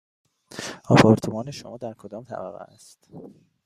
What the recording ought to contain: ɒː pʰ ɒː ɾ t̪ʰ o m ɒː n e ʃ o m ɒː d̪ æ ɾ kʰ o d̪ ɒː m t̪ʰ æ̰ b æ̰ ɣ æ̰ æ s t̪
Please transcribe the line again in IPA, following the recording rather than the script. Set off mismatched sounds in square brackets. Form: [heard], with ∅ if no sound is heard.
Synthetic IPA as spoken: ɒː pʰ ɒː ɾ t̪ʰ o m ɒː n e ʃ o m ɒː d̪ æ ɾ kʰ o d̪ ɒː m t̪ʰ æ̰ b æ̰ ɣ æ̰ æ s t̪